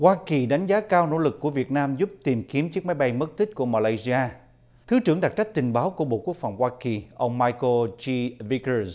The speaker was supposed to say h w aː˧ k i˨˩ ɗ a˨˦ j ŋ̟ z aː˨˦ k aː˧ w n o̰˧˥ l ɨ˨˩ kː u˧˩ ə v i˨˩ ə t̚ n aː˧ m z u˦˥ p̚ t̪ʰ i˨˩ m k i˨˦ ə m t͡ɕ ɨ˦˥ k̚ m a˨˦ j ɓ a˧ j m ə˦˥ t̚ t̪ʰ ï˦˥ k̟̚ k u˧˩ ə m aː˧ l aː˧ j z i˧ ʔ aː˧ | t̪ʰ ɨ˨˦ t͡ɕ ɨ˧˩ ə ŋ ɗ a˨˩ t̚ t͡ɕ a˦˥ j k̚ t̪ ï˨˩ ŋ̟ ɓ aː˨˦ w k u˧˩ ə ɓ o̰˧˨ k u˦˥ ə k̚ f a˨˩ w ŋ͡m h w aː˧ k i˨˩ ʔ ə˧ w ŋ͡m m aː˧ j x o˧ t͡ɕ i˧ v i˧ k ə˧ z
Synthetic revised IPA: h w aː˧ k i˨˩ ɗ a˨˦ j ŋ̟ z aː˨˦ k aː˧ w n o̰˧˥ l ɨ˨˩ kː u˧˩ ə v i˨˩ ə t̚ n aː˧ m z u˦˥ p̚ t̪ i˨˩ m k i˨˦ ə m t͡ɕ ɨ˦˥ k̚ m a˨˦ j ɓ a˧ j m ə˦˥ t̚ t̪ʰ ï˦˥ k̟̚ k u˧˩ ə m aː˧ l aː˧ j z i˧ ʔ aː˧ | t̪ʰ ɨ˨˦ t͡ɕ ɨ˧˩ ə ŋ ɗ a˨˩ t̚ t͡ɕ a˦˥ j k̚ t̪ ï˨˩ ŋ̟ ɓ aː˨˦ w k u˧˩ ə ɓ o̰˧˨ k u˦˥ ə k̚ f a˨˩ w ŋ͡m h w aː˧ k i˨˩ ʔ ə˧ w ŋ͡m m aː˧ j k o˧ t͡ɕ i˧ v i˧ k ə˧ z